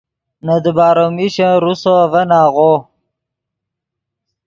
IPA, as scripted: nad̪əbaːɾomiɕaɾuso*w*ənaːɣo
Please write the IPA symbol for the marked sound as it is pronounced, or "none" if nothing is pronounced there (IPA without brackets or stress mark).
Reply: v